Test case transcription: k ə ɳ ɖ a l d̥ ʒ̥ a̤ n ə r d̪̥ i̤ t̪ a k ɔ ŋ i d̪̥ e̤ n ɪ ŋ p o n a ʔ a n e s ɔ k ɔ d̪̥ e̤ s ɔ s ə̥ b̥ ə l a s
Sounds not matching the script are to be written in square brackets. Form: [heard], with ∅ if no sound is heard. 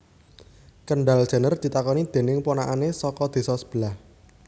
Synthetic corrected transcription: k ə ɳ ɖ a l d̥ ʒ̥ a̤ n ə r d̪̥ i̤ t̪ a k ɔ [n] i d̪̥ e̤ n ɪ ŋ p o n a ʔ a n e s ɔ k ɔ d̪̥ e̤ s ɔ s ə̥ b̥ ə l a [h]